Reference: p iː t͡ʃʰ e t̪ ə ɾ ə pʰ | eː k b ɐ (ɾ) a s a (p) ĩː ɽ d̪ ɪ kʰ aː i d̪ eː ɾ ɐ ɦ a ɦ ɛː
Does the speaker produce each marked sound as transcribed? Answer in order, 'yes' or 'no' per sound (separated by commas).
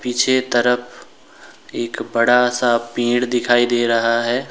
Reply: no, yes